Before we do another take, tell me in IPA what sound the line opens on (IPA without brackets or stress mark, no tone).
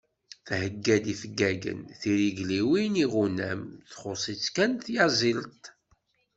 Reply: θ